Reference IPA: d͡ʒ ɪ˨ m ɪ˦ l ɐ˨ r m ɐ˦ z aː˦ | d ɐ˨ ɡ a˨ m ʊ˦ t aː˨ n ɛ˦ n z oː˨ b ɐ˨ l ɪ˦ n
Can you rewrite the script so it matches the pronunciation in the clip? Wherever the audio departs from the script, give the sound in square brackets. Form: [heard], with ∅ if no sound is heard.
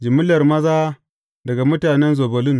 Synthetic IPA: d͡ʒ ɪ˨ m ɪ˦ l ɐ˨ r m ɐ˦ z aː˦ | d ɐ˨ ɡ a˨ m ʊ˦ t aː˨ n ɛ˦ n z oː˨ b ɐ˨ l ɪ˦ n